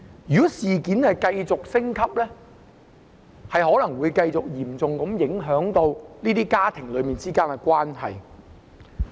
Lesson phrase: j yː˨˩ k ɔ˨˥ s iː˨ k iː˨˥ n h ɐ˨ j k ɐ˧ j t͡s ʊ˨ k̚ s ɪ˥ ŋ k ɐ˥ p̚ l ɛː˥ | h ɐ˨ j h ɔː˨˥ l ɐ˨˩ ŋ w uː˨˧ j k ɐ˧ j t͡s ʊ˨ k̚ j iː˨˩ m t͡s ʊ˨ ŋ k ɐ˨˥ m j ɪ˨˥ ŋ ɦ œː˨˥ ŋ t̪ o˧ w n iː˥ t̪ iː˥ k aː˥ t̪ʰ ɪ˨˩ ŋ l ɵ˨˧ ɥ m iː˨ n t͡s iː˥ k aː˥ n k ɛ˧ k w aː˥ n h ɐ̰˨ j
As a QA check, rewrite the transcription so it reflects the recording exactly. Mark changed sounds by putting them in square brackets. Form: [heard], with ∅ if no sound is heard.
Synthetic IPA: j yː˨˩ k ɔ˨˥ s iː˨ k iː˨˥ n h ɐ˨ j k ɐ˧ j t͡s ʊ˨ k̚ s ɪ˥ ŋ [kʰ] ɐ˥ p̚ l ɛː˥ | h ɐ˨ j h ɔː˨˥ l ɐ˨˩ ŋ w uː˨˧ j k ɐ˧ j t͡s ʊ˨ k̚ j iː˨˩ m t͡s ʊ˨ ŋ k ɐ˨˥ m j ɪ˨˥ ŋ ɦ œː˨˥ ŋ t̪ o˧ w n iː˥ t̪ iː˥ k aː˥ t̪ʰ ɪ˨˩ ŋ l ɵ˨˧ ɥ m iː˨ n t͡s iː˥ k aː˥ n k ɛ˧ k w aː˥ n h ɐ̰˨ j

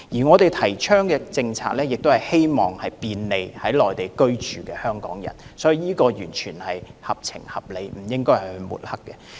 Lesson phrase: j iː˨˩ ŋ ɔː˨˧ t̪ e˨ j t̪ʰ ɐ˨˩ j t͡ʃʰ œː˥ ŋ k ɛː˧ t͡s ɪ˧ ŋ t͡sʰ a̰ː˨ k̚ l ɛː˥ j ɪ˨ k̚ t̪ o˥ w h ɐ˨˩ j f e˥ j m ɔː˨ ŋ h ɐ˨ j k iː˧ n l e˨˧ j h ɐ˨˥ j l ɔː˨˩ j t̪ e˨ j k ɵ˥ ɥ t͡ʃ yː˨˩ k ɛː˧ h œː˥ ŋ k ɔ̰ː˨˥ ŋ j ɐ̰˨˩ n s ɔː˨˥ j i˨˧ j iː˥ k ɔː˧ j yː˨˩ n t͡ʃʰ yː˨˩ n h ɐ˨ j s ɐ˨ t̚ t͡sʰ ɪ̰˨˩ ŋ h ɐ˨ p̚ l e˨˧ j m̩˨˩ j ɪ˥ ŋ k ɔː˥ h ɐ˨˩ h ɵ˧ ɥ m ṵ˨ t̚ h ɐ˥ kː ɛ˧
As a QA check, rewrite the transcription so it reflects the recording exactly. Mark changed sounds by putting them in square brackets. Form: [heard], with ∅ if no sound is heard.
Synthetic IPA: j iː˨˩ ŋ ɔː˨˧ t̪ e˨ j t̪ʰ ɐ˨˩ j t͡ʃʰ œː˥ ŋ k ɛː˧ t͡s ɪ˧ ŋ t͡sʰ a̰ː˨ k̚ l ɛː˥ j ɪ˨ k̚ t̪ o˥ w h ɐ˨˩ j [h] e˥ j m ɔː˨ ŋ h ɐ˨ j [p] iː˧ n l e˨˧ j h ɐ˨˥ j l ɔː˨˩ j t̪ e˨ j k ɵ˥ ɥ t͡ʃ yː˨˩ k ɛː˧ h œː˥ ŋ k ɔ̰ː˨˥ ŋ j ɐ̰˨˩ n s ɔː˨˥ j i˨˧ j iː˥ k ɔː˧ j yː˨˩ n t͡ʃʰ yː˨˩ n h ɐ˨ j [h] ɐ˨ [p̚] t͡sʰ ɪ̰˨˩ ŋ h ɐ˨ p̚ l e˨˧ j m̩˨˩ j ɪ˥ ŋ k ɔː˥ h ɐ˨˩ h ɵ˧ ɥ m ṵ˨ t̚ h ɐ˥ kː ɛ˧

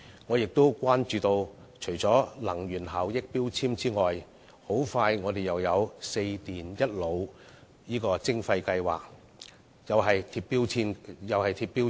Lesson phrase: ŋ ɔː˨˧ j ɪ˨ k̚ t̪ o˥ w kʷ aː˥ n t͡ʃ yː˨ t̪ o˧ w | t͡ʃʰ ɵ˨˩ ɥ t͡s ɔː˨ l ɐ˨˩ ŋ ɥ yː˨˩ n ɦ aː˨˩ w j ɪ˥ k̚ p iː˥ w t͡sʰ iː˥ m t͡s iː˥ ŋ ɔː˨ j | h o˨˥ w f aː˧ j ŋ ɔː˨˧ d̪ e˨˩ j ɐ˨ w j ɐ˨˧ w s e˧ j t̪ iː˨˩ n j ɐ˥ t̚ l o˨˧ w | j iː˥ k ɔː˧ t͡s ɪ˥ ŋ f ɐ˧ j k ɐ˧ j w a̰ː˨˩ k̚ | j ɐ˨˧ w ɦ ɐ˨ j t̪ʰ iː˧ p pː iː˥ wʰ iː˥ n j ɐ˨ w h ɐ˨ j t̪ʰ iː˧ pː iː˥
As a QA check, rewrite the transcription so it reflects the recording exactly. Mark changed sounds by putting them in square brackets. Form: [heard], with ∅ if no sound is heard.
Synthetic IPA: ŋ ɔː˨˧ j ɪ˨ k̚ t̪ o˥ w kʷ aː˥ n t͡ʃ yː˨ t̪ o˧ w | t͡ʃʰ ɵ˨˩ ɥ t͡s [ɔː˨˥] l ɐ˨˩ ŋ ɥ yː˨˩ n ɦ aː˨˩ w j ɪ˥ k̚ p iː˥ w t͡sʰ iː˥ m t͡s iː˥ ŋ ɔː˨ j | h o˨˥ w f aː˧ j ŋ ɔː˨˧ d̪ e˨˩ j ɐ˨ w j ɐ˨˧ w s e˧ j t̪ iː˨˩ n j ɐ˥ t̚ l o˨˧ w | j iː˥ k ɔː˧ t͡s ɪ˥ ŋ f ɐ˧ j k ɐ˧ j w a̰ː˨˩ k̚ | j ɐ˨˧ w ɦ ɐ˨ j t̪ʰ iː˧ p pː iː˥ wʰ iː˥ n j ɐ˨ w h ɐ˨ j t̪ʰ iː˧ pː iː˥

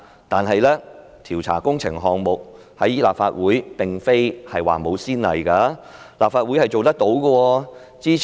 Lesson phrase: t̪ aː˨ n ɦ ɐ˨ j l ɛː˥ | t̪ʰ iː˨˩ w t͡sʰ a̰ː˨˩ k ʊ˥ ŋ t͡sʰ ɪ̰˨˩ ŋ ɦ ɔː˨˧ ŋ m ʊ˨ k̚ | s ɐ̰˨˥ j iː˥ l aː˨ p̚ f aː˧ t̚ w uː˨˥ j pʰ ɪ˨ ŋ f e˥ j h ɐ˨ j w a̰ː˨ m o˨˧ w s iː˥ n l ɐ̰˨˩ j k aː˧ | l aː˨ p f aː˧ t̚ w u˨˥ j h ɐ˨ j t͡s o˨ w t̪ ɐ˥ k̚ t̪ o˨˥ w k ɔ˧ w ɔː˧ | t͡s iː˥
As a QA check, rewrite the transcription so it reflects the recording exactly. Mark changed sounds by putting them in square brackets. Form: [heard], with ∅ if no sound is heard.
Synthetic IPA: t̪ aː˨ n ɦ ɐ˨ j l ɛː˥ | t̪ʰ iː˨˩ w t͡sʰ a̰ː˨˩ k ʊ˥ ŋ t͡sʰ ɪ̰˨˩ ŋ ɦ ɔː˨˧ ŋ m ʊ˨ k̚ | [h] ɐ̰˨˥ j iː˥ l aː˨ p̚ f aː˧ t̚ w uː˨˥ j [p] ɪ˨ ŋ f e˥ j h ɐ˨ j w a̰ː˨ m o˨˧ w s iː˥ n l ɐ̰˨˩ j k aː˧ | l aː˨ p f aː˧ t̚ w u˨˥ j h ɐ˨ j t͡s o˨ w t̪ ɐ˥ k̚ t̪ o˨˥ w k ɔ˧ w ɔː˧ | t͡s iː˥

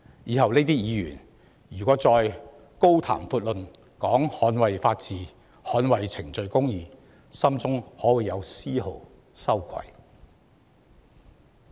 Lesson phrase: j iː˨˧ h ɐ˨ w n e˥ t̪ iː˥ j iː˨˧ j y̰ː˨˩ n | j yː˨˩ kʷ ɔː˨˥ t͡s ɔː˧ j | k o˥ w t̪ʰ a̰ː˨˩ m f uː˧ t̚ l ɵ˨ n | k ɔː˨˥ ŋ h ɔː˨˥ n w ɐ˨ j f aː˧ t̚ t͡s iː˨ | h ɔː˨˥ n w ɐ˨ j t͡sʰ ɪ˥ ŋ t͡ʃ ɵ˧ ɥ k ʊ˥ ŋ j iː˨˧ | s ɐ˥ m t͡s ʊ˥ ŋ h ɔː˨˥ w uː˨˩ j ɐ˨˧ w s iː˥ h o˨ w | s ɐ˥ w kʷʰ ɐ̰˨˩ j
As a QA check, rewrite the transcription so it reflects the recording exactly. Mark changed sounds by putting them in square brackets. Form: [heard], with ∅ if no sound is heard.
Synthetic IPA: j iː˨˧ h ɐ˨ w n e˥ t̪ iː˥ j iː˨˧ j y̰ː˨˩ n | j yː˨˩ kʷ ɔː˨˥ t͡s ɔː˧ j | k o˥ w t̪ʰ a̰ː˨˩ m f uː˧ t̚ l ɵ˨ n | k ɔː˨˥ ŋ h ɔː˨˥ n w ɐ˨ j f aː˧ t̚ t͡s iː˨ | h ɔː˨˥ n w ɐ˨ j t͡sʰ [ɪ˨˩] ŋ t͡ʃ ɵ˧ ɥ k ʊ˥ ŋ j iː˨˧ | s ɐ˥ m t͡s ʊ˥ ŋ h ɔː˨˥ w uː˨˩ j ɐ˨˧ w s iː˥ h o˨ w | s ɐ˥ w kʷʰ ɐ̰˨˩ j

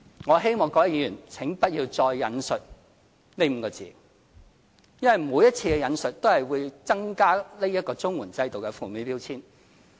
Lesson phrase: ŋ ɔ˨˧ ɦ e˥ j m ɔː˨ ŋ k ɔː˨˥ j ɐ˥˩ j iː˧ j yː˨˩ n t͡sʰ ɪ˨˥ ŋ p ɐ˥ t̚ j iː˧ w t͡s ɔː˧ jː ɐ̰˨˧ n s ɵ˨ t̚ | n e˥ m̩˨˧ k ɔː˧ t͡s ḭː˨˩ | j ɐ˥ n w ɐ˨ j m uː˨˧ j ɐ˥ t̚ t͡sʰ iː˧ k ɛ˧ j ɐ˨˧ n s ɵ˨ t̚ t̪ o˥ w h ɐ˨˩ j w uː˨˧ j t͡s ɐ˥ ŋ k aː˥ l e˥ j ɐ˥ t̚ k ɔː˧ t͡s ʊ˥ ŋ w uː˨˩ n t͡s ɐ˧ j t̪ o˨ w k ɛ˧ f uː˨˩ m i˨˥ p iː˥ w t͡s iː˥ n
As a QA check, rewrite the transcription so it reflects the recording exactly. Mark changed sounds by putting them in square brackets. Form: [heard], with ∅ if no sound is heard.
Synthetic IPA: ŋ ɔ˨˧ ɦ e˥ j m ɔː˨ ŋ k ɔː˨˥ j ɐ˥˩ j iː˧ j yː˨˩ n t͡sʰ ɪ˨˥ ŋ p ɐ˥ t̚ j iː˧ w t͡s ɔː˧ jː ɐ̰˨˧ n s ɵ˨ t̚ | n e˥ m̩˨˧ k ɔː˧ t͡s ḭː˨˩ | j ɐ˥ n w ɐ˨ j m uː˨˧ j ɐ˥ t̚ t͡sʰ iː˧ k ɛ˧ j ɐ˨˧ n s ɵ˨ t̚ t̪ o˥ w h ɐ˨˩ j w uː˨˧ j t͡s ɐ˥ ŋ k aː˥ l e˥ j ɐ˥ t̚ k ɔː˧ t͡s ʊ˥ ŋ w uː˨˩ n t͡s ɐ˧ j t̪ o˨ w k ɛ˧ f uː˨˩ m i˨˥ p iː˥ w [t͡sʰ] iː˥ n

